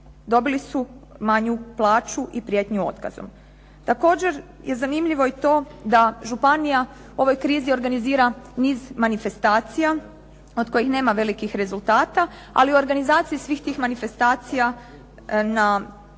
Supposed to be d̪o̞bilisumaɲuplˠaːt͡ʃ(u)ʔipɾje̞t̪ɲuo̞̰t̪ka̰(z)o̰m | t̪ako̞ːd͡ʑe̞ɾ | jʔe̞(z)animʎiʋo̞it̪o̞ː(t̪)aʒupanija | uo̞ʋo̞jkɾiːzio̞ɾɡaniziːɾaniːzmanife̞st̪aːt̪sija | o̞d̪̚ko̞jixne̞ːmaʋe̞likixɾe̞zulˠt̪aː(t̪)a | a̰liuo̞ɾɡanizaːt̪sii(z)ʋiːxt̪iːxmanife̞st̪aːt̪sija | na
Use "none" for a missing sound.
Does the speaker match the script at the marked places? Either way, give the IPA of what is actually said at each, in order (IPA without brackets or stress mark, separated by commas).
u, z, z, d̪, t̪, s